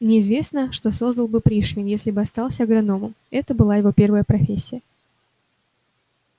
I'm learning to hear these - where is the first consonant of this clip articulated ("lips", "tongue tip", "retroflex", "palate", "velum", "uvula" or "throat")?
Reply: tongue tip